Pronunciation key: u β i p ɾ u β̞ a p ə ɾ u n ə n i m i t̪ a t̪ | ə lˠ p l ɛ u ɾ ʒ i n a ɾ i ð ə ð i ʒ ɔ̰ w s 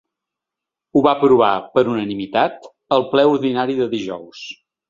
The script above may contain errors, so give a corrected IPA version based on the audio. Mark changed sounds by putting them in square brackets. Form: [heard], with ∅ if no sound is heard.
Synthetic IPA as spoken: u β [a] p ɾ u β̞ a p ə ɾ u n ə n i m i t̪ a t̪ | ə lˠ p l ɛ u ɾ [ð] i n a ɾ i ð ə ð i ʒ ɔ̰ w s